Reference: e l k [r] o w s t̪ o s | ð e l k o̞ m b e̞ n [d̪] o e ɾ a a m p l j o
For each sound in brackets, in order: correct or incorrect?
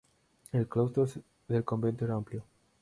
incorrect, incorrect

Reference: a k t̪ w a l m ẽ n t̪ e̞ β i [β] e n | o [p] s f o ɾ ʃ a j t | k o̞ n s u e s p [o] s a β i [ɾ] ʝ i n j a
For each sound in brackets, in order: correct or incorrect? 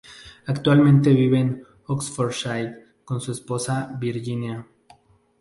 correct, incorrect, correct, correct

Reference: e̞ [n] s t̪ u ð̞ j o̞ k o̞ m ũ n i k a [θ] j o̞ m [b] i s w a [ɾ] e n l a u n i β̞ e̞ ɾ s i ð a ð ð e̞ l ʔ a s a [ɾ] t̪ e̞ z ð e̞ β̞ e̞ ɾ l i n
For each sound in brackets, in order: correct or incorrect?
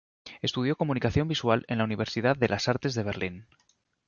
incorrect, correct, correct, incorrect, correct

